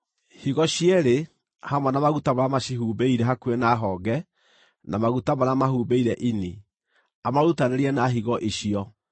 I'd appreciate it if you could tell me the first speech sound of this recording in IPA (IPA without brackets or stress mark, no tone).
h